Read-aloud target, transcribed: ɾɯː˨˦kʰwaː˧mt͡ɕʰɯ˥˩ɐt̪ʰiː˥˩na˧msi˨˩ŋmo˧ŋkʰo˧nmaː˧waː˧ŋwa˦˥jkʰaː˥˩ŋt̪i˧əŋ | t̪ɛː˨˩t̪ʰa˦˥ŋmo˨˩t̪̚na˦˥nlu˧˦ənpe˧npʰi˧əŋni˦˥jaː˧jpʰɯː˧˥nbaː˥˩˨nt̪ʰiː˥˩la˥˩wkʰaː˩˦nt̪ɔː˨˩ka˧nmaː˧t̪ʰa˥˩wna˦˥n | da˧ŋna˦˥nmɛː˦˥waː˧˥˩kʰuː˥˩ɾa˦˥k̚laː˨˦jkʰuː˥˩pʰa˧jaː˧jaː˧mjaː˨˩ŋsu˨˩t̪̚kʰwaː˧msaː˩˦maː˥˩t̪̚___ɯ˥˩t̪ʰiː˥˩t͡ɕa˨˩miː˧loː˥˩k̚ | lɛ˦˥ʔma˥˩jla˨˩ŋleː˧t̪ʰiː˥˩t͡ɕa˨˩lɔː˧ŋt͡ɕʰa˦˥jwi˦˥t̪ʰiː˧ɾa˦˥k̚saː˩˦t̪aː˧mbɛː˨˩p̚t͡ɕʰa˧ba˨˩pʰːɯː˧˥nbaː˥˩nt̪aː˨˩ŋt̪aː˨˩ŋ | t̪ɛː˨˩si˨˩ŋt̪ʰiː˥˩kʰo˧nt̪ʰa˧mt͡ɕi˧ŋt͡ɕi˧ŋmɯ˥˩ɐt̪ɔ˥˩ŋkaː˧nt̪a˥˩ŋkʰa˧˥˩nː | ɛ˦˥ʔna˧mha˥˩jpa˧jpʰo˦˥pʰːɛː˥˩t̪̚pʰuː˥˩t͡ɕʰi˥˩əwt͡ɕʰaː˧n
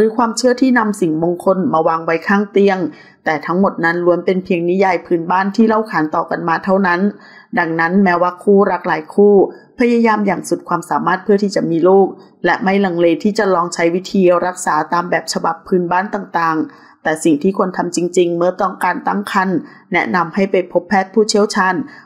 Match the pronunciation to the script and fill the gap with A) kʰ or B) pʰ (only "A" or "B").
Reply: B